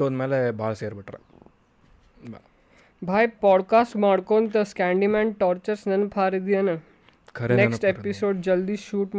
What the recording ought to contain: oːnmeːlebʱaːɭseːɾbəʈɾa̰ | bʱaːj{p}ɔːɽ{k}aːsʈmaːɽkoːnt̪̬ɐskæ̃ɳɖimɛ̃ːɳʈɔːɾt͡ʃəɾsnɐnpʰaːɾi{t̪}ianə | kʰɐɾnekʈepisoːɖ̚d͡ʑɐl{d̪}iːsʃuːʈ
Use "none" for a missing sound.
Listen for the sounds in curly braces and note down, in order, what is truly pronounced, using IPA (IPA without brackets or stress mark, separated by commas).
p, k, d̪, d̪